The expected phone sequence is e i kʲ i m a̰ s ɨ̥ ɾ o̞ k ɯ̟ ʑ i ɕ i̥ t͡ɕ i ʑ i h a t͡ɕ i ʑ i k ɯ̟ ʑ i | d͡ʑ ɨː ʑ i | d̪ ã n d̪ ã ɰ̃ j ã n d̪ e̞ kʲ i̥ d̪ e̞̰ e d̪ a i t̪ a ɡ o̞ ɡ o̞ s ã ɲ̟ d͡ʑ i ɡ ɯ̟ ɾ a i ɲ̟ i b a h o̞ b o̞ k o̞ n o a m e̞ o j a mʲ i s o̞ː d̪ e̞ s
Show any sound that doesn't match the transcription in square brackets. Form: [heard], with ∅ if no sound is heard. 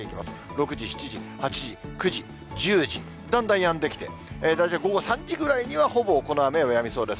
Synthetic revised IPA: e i kʲ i m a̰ s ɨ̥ ɾ o̞ k ɯ̟ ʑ i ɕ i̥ t͡ɕ i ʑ i h a t͡ɕ i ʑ i k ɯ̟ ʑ i | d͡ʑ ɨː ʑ i | d̪ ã n d̪ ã ɰ̃ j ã n d̪ e̞ kʲ i̥ [t̪] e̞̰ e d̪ a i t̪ a ɡ o̞ ɡ o̞ s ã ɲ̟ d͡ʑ i ɡ ɯ̟ ɾ a i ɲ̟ i [β] a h o̞ b o̞ k o̞ n o a m e̞ o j a mʲ i s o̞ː d̪ e̞ s

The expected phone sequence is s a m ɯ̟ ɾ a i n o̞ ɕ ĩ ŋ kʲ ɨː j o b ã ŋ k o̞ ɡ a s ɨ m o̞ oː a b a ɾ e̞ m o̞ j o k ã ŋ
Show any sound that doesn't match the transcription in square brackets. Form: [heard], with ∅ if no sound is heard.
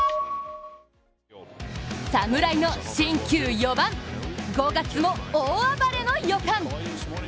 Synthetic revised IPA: s a m ɯ̟ ɾ a i n o̞ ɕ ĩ ŋ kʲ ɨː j o b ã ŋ [ɡ] o̞ ɡ a [t͡s] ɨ m o̞ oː a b a ɾ e̞ [n] o̞ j o k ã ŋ

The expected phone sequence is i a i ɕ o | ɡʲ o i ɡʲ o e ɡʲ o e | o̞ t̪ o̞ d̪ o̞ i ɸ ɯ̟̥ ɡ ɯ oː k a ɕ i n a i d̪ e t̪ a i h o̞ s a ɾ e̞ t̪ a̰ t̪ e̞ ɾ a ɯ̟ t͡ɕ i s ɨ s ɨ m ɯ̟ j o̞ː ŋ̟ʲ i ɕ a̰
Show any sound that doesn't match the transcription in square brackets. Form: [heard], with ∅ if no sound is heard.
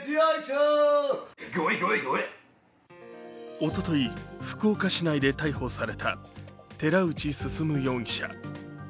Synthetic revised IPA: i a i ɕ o | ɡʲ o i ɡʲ o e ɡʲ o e | o̞ t̪ o̞ [t̪] o̞ i ɸ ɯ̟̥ [k] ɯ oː k a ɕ i n a i d̪ e t̪ a i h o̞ s a ɾ e̞ t̪ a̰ t̪ e̞ ɾ a ɯ̟ t͡ɕ i s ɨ s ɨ m ɯ̟ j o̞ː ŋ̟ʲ i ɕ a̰

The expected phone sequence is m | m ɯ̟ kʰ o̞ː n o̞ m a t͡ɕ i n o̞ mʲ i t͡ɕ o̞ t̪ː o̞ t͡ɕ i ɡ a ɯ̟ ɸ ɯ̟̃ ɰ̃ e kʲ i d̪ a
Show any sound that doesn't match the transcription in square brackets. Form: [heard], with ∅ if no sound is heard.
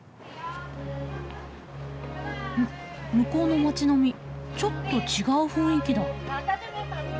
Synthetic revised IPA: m | m ɯ̟ [k] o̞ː n o̞ m a t͡ɕ i n o̞ mʲ i t͡ɕ o̞ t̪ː o̞ t͡ɕ i ɡ a ɯ̟ ɸ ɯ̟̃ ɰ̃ [i] kʲ i d̪ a

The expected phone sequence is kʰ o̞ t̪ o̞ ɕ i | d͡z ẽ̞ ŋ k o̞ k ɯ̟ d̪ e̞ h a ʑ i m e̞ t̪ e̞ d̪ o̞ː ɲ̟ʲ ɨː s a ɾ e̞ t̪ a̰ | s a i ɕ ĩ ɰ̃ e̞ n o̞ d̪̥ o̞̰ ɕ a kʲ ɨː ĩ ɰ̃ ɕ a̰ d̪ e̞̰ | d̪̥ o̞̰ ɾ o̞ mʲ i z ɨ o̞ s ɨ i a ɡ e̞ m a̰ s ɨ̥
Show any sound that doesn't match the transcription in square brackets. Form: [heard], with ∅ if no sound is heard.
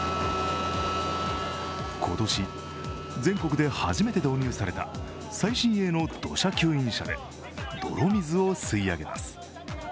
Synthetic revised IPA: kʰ o̞ t̪ o̞ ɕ i | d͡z ẽ̞ ŋ k o̞ k ɯ̟ d̪ e̞ h a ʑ i m e̞ t̪ e̞ d̪ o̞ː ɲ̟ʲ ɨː s a ɾ e̞ t̪ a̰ | s a i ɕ ĩ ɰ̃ e̞ n o̞ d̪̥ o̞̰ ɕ a kʲ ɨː ĩ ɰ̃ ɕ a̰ d̪ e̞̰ | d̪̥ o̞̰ ɾ o̞ mʲ i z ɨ o̞ s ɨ i a ɡ e̞ m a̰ s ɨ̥

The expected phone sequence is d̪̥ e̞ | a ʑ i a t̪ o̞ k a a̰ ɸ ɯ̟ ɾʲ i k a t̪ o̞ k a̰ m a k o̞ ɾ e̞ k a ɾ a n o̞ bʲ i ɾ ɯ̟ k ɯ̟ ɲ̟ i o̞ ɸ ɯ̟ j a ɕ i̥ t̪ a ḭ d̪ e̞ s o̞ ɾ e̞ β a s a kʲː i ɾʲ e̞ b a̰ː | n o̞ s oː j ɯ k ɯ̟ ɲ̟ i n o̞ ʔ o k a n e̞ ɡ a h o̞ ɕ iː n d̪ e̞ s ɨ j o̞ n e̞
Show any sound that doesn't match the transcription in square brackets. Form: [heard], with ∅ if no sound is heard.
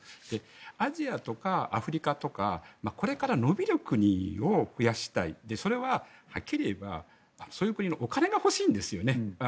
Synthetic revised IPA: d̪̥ e̞ | a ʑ i a t̪ o̞ k a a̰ ɸ ɯ̟ ɾʲ i k a t̪ o̞ k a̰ m a k o̞ ɾ e̞ k a ɾ a n o̞ bʲ i ɾ ɯ̟ k ɯ̟ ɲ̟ i o̞ ɸ ɯ̟ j a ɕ i̥ t̪ a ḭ d̪ e̞ s o̞ ɾ e̞ β a [h] a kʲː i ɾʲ e̞ b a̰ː | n o̞ s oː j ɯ k ɯ̟ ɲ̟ i n o̞ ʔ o k a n e̞ ɡ a h o̞ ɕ iː n d̪ e̞ s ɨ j o̞ n e̞

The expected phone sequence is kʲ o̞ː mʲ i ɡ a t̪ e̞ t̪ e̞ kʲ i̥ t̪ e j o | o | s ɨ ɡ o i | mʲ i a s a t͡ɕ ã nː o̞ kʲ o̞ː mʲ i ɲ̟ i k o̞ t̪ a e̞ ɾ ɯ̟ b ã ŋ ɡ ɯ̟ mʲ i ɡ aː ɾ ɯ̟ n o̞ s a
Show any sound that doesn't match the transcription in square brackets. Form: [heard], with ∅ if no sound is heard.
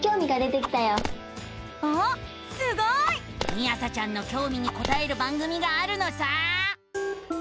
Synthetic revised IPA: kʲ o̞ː mʲ i ɡ a [d̪] e̞ t̪ e̞ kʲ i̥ t̪ [a] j o | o | s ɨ ɡ o i | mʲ i a s a t͡ɕ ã nː o̞ kʲ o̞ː mʲ i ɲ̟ i k o̞ t̪ a e̞ ɾ ɯ̟ b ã ŋ ɡ ɯ̟ mʲ i ɡ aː ɾ ɯ̟ n o̞ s a

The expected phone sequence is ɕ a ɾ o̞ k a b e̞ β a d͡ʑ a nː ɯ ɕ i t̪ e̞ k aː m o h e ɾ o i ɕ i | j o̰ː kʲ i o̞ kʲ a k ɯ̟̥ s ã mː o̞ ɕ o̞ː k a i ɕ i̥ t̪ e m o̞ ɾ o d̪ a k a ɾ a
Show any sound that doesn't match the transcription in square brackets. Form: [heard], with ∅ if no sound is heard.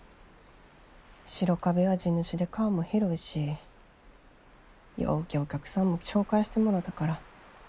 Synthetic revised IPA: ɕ [i] ɾ o̞ k a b e̞ β a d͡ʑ [i] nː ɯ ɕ i [d̪] e̞ k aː m o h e ɾ o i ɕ i | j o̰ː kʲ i o̞ kʲ a k ɯ̟̥ s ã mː o̞ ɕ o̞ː k a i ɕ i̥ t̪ e m o̞ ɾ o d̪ a k a ɾ a

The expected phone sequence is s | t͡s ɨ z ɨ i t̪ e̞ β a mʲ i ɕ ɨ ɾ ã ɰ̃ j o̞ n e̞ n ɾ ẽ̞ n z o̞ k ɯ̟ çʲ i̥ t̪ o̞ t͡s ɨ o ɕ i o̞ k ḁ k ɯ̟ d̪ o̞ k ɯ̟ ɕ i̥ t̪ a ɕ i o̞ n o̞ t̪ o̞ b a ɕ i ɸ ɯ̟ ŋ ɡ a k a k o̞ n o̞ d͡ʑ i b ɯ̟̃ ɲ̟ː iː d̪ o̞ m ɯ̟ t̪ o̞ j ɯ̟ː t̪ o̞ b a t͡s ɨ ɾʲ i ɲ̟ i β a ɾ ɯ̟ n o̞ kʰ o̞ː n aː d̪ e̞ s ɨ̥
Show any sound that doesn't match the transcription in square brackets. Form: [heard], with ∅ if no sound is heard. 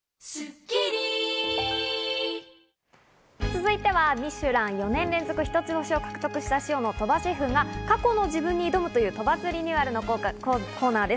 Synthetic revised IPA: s | t͡s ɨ z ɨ i t̪ e̞ β a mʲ i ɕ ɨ ɾ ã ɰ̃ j o̞ n [ẽ̞] n ɾ ẽ̞ n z o̞ k ɯ̟ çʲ i̥ t̪ o̞ t͡s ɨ o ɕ i o̞ k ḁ k ɯ̟ [t̪] o̞ k ɯ̟ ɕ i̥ t̪ a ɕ i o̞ n o̞ t̪ o̞ b a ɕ i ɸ ɯ̟ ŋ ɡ a k a k o̞ n o̞ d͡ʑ i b ɯ̟̃ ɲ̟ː iː d̪ o̞ m ɯ̟ t̪ o̞ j ɯ̟ː t̪ o̞ b a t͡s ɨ ɾʲ i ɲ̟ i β a ɾ ɯ̟ n o̞ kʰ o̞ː n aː d̪ e̞ s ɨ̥

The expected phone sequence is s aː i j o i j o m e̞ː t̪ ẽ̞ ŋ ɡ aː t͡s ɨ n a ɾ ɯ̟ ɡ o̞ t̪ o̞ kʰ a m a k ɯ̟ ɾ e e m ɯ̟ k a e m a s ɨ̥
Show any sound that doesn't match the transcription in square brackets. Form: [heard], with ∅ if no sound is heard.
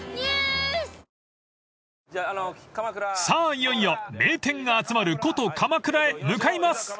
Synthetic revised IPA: s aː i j o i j o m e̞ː t̪ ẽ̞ ŋ ɡ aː t͡s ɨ [m] a ɾ ɯ̟ [k] o̞ t̪ o̞ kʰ a m a k ɯ̟ ɾ [a] e m ɯ̟ k a [i] m a s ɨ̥

